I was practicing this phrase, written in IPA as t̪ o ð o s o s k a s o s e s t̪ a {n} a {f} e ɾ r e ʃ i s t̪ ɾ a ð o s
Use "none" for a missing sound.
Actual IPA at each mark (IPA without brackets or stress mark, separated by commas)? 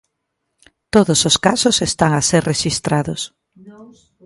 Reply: ŋ, s